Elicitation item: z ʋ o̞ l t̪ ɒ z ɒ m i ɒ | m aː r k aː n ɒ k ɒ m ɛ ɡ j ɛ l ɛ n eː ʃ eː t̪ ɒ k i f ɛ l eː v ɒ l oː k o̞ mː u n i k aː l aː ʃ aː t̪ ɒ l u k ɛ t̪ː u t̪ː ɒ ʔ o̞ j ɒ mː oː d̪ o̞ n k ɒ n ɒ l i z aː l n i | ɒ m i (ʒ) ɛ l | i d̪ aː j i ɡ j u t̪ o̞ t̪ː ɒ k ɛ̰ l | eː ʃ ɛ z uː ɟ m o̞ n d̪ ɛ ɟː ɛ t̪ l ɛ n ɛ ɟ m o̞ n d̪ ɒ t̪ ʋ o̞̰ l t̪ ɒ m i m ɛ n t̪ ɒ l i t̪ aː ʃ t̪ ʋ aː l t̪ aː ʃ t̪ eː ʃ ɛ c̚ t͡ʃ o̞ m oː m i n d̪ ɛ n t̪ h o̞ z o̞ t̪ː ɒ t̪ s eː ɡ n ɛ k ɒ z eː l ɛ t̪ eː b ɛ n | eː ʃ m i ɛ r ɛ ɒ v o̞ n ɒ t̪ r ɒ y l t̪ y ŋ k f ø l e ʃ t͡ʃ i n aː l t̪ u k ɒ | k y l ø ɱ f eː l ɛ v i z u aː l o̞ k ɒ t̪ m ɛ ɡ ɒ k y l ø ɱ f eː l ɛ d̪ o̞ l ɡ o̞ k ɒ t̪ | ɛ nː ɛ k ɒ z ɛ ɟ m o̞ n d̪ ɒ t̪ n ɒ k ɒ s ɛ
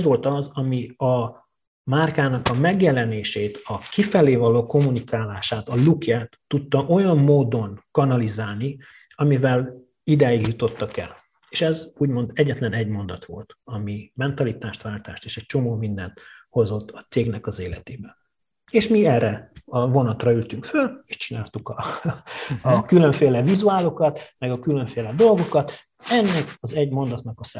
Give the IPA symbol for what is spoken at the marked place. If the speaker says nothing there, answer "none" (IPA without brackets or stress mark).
v